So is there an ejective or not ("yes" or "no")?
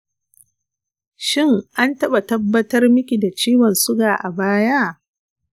no